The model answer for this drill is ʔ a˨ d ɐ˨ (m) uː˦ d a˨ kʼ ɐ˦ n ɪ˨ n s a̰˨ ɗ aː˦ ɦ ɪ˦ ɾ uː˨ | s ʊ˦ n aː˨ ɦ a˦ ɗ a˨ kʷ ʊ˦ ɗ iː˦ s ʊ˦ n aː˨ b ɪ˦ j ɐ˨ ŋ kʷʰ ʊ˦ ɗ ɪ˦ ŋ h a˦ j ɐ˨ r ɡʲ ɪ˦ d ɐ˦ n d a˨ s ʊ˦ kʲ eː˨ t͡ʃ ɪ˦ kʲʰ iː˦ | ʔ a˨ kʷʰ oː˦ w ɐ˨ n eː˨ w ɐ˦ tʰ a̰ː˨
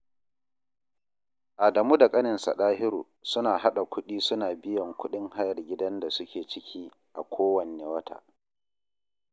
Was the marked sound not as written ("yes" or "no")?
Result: no